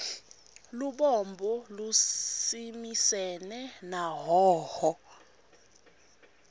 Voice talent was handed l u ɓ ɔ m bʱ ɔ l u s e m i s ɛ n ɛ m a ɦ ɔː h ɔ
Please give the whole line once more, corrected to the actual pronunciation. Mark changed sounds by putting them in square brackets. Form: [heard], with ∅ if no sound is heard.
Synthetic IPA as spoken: l u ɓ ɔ m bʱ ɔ l u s [i] m i s ɛ n ɛ [n] a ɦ ɔː h ɔ